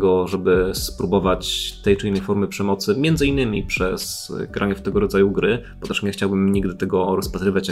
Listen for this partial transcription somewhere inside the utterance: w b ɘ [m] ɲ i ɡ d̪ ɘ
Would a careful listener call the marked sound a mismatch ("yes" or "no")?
no